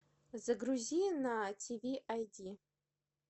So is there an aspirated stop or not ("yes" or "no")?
yes